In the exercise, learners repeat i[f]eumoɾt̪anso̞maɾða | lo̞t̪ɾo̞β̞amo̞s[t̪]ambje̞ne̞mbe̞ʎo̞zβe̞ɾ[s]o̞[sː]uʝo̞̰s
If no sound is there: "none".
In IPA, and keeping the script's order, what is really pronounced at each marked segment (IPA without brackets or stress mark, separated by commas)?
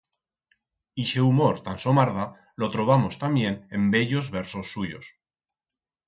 ʃ, t̪, s, sː